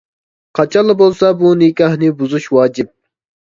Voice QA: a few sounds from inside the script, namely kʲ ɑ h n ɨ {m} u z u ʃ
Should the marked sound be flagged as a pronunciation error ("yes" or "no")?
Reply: yes